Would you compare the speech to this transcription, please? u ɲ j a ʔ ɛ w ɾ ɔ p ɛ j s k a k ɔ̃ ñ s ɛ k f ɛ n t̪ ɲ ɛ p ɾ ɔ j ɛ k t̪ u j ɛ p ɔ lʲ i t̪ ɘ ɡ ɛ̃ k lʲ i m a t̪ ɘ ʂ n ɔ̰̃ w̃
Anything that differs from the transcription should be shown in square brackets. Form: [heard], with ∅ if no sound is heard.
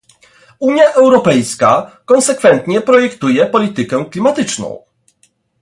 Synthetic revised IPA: u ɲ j a ʔ ɛ w ɾ ɔ p ɛ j s k a k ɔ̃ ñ s ɛ k f ɛ n t̪ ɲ ɛ p ɾ ɔ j ɛ k t̪ u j ɛ p ɔ lʲ i t̪ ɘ [k] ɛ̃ k lʲ i m a t̪ ɘ [t͡ʂ] n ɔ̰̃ w̃